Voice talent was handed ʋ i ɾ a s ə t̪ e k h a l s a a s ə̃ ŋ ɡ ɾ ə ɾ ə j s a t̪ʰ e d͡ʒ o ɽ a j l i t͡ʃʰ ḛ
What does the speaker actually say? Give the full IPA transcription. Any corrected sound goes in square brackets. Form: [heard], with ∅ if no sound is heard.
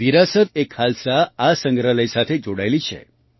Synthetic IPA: ʋ i ɾ a s ə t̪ e k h a l s a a s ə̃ ŋ ɡ ɾ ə [l] ə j s a t̪ʰ e d͡ʒ o ɽ a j l i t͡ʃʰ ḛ